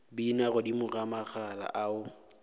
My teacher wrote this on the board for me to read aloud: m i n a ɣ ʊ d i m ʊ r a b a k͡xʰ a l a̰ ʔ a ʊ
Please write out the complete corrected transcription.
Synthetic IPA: b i n a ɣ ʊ d i m ʊ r a m a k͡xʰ a l a̰ ʔ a ʊ